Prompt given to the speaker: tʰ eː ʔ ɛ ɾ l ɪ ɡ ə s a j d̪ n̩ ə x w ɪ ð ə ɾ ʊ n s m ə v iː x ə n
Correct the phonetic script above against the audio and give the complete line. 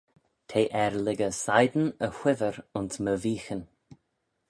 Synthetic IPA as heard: tʰ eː ʔ ɛ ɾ l ɪ ɡ ə s a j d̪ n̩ ə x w ɪ v ə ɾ ʊ n s m ə v iː x ə n

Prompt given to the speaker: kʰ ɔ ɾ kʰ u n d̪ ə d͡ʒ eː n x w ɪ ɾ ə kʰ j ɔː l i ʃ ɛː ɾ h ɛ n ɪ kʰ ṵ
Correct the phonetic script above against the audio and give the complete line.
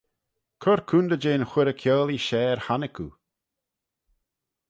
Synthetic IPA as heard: kʰ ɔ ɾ kʰ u n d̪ ə d͡ʒ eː n x w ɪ ɾ ə kʰ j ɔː l i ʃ ɛː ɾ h a n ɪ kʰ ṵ

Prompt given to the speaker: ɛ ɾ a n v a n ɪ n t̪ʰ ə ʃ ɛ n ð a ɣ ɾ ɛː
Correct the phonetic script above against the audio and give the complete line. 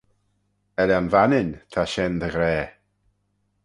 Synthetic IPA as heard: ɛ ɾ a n v a n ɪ n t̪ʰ a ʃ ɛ n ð ə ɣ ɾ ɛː

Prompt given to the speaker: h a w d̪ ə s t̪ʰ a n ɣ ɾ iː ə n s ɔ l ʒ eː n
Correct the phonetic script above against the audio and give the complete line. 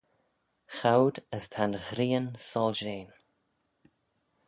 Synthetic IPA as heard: x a w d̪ ə s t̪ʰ a n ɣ ɾ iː ə n s ɔ l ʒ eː n

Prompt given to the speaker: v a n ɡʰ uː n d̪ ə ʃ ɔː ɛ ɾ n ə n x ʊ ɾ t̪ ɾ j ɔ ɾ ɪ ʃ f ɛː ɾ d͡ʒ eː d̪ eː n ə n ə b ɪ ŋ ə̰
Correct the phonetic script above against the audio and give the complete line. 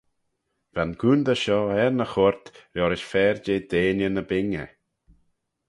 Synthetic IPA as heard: v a n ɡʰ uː n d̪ ə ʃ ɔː ɛ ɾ n ə x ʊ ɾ t̪ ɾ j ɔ ɾ ɪ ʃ f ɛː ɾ d͡ʒ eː d̪ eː n ə n ə b ɪ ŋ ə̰

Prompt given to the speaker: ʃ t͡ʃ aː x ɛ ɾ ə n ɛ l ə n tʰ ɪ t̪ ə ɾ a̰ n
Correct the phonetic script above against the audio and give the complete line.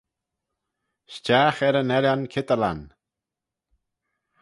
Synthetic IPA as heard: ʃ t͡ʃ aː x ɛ ɾ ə n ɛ l a n kʰ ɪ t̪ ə l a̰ n

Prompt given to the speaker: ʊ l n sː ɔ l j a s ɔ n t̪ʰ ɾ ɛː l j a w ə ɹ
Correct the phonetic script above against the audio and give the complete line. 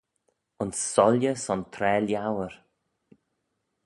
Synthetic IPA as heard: ʊ n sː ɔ l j ə s ɔ n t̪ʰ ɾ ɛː l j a w ə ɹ

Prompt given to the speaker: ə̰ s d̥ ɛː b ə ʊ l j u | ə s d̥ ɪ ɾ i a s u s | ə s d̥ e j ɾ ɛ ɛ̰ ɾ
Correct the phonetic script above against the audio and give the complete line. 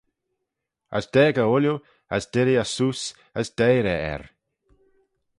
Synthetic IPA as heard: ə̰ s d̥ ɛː ɡ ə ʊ l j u | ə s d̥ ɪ ɾ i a s u s | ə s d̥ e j ɾ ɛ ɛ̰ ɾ

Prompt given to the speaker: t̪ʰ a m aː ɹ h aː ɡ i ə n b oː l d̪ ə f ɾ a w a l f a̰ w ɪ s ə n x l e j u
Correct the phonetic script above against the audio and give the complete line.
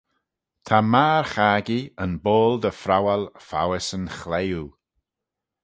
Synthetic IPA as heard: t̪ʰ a m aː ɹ x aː ɡ i ə n b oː l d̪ ə f ɾ a w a l f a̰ w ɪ s ə n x l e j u

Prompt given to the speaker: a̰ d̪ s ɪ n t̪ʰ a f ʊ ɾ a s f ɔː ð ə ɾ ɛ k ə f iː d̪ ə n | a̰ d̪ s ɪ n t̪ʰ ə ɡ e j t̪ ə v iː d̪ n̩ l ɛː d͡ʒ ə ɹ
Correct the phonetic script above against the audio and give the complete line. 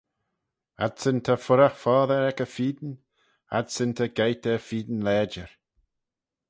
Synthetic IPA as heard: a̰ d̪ s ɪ n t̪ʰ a f ʊ ɾ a x f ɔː ð ə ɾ ɛ k ə f iː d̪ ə n | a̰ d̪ s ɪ n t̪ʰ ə ɡ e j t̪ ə f iː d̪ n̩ l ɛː d͡ʒ ə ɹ

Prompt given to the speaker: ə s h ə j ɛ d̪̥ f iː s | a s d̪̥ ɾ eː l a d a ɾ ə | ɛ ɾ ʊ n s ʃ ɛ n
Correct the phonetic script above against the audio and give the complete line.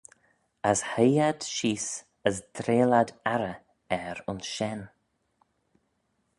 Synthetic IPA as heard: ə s h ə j a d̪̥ ʃ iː s | ə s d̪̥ ɾ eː l a d a ɾ ə | ɛ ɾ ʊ n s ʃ ɛ n

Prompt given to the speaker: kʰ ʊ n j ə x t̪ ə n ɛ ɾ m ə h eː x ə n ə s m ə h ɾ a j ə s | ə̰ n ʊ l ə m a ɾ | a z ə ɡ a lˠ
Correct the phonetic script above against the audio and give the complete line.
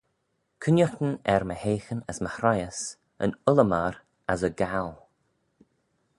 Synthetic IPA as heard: kʰ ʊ n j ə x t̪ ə n ɛ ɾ m ə h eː x ə n ə s m ə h ɾ a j ə s | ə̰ n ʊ l ə m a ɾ | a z ə ɡ a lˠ

